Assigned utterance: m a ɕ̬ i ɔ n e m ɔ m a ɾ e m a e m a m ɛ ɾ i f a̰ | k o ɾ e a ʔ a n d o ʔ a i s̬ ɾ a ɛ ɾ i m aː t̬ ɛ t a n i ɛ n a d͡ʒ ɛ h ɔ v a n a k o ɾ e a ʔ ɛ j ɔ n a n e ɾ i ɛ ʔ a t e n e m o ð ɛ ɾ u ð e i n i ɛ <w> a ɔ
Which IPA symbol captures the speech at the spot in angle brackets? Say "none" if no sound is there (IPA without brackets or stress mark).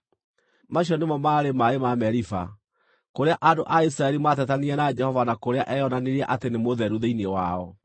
w